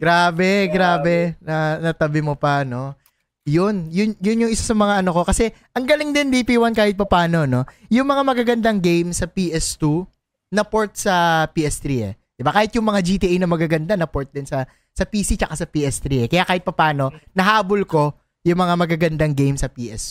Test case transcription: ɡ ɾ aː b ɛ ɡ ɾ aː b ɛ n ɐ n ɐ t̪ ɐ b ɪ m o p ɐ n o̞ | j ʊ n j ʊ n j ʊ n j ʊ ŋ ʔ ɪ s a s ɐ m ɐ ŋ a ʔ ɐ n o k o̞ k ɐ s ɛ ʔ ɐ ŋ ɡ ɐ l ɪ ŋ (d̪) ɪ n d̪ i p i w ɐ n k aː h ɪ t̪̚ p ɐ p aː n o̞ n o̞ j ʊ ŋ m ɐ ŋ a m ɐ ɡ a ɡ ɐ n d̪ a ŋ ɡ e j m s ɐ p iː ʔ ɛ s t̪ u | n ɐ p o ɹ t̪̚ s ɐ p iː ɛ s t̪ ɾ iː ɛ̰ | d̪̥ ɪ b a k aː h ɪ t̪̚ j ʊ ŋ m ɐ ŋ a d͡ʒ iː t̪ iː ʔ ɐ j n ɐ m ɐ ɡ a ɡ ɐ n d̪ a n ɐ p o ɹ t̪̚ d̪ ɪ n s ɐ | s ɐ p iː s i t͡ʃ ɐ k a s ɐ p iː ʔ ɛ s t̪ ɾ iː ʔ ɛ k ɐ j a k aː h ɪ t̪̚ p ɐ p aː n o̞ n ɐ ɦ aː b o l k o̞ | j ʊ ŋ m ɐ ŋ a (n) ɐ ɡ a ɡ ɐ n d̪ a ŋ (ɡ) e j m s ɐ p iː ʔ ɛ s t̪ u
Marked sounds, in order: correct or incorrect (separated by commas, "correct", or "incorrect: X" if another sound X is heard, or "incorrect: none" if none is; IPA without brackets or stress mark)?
correct, incorrect: m, correct